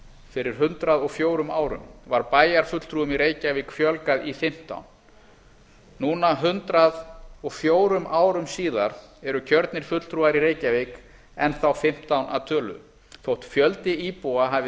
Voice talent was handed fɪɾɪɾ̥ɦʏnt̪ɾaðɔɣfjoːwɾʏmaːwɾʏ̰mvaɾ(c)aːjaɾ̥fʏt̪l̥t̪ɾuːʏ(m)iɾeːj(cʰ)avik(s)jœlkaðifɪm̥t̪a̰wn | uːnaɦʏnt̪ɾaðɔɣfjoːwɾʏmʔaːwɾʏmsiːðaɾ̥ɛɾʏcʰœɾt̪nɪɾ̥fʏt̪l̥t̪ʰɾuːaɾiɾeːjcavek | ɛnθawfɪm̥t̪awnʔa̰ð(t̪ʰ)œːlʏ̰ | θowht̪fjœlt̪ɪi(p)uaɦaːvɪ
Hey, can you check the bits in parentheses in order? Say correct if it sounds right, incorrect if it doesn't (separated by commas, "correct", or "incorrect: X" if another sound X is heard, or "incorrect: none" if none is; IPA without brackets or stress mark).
incorrect: p, correct, incorrect: c, incorrect: f, correct, correct